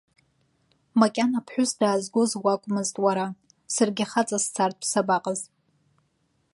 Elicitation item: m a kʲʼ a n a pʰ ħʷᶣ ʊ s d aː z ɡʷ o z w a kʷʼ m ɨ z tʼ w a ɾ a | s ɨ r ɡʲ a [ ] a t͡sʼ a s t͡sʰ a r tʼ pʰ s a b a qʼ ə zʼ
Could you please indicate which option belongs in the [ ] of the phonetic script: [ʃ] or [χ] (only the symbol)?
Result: χ